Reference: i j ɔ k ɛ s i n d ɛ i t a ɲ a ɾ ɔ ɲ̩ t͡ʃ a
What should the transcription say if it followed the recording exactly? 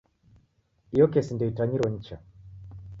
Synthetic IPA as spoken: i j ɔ k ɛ s i n d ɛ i t a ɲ i ɾ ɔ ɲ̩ t͡ʃ a